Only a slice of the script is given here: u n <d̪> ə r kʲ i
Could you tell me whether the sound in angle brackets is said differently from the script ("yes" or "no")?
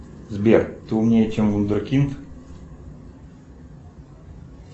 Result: no